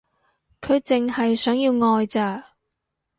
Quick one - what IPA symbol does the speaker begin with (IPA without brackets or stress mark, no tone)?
kʰ